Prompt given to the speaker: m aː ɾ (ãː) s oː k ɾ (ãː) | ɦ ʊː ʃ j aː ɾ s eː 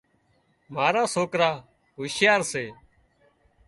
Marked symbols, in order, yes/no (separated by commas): no, no